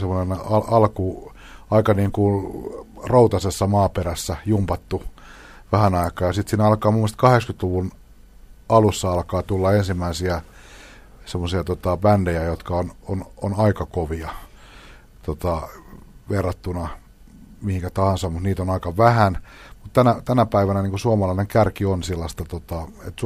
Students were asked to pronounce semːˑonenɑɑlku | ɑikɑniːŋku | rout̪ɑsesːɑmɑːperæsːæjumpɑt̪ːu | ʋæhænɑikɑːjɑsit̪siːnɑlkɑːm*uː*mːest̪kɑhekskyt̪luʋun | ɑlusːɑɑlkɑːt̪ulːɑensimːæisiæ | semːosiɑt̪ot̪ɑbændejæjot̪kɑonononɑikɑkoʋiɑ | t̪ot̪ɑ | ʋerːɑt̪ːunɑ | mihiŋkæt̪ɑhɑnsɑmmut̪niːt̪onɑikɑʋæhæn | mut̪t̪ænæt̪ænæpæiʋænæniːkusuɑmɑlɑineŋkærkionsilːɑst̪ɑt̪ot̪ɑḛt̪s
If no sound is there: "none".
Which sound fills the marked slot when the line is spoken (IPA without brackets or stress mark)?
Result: u